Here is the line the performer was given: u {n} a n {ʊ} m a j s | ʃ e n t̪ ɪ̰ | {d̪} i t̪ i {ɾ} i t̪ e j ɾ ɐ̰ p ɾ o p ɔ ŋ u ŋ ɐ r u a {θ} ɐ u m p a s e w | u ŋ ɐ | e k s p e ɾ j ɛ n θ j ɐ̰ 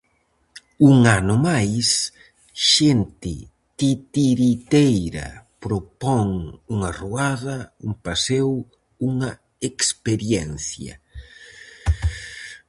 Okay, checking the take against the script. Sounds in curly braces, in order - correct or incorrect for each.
incorrect, correct, incorrect, correct, incorrect

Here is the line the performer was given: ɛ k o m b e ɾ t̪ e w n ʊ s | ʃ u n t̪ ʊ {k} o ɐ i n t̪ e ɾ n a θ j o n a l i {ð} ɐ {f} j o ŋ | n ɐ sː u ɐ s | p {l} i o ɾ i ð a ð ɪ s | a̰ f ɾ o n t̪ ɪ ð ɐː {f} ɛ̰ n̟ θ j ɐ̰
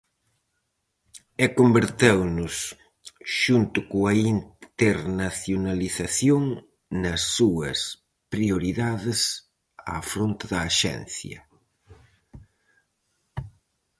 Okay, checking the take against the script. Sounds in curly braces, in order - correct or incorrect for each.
correct, incorrect, incorrect, incorrect, incorrect

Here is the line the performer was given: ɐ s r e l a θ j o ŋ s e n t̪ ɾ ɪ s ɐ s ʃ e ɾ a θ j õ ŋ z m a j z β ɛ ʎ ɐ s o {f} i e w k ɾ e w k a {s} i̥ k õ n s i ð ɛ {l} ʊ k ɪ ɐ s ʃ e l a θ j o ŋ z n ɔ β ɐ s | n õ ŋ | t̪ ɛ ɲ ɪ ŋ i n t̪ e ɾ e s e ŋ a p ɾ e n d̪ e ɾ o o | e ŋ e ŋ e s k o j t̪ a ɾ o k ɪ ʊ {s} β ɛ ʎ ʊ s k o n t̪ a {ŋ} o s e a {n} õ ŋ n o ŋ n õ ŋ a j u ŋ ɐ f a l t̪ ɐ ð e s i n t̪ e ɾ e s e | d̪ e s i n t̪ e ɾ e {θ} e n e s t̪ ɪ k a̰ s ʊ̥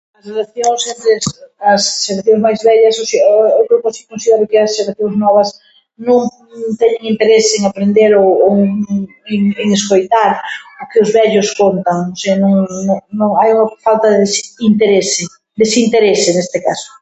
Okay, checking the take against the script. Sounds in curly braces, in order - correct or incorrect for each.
incorrect, correct, incorrect, incorrect, correct, correct, incorrect

